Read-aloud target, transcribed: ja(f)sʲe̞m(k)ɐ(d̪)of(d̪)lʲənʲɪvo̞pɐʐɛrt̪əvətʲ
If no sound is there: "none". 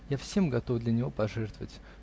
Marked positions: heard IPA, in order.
f, ɡ, t̪, d̪

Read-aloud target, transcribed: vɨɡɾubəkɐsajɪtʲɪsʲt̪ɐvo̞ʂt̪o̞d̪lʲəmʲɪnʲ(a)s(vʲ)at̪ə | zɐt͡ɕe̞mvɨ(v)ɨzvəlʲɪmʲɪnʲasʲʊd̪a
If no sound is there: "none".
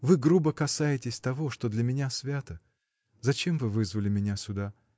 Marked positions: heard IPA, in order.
a, vʲ, v

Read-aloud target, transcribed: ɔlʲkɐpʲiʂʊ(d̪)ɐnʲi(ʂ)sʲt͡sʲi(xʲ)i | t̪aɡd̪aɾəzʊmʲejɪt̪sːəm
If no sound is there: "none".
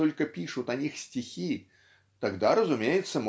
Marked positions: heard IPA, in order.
t̪, x, xʲ

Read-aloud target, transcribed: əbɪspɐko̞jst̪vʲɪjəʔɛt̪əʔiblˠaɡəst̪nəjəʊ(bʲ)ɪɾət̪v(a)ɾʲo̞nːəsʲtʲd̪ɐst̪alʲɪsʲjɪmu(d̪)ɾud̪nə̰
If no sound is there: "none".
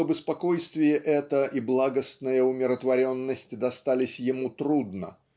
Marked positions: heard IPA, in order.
mʲ, ɐ, t̪

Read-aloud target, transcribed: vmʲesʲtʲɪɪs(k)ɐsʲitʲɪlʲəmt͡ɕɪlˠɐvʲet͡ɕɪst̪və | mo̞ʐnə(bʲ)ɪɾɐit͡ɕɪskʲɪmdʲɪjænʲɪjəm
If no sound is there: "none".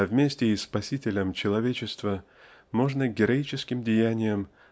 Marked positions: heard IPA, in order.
p, ɡʲ

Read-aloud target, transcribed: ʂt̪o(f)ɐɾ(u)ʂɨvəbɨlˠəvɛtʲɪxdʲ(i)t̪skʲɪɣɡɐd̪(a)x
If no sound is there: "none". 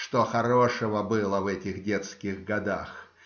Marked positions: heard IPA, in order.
x, o, e, a

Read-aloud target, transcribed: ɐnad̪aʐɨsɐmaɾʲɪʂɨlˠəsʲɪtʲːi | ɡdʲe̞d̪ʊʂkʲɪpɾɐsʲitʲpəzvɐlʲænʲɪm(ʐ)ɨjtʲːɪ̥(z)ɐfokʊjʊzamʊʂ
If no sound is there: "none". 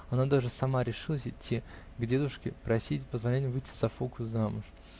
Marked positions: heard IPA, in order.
v, z

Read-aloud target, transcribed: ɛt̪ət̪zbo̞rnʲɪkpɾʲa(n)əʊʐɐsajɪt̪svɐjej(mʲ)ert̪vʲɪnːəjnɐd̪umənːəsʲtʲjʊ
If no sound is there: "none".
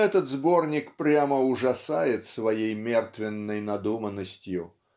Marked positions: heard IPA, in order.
m, mʲ

